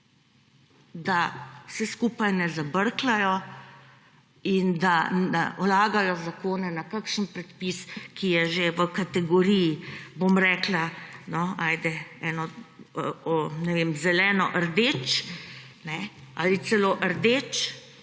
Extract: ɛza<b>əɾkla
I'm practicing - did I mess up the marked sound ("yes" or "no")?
no